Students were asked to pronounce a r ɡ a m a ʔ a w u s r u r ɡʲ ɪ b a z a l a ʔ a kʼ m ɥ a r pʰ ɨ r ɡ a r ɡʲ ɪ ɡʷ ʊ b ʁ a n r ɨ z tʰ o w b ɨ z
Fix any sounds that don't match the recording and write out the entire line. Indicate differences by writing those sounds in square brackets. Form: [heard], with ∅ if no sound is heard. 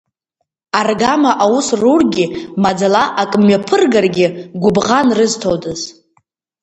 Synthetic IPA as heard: a r ɡ a m a ʔ a w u s r u r ɡʲ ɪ [m] a [d͡z] a l a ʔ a kʼ m ɥ a [∅] pʰ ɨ r ɡ a r ɡʲ ɪ ɡʷ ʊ b ʁ a n r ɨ z tʰ o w [d] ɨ z